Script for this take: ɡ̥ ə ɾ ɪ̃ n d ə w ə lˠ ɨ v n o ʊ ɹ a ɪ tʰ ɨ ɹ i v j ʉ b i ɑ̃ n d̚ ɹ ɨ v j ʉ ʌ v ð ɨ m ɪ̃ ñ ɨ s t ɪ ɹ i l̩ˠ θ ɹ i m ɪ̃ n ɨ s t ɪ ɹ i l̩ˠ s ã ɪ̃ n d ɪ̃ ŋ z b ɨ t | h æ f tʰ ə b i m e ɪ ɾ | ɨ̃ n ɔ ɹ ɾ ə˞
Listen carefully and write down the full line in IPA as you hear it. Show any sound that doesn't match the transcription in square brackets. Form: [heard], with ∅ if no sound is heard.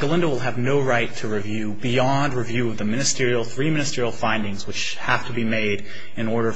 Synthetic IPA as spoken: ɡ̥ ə [l] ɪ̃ n d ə w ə lˠ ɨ v n o ʊ ɹ a ɪ tʰ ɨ ɹ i v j ʉ b i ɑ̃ n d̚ ɹ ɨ v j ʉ ʌ v ð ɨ m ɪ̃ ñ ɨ s t ɪ ɹ i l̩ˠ θ ɹ i m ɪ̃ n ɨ s t ɪ ɹ i l̩ˠ [f] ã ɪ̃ n d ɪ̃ ŋ z [w] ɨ [t͡ʃ] | h æ f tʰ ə b i m e ɪ ɾ | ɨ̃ n ɔ ɹ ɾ ə˞